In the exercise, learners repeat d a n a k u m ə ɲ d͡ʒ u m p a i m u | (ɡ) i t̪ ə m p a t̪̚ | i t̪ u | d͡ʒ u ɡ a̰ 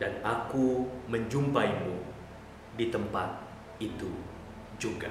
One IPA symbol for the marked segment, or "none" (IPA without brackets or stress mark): d